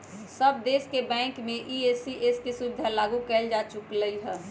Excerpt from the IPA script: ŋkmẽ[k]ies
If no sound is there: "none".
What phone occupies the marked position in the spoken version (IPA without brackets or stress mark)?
ʔ